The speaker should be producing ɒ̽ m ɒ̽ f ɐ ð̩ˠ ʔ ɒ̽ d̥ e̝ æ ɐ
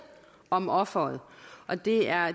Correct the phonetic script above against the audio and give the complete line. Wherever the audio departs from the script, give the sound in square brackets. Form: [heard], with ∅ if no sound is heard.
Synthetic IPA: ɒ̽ m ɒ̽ f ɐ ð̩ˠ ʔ ɒ̽ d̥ e̝ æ ɐ